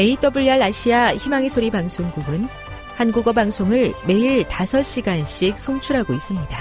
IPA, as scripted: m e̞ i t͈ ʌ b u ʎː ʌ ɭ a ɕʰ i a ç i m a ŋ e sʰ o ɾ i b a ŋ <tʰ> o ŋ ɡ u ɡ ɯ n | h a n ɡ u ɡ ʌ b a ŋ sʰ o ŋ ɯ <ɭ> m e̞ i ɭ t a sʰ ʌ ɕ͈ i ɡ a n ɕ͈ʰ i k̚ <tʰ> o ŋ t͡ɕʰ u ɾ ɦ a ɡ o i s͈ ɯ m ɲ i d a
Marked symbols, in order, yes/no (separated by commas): no, yes, no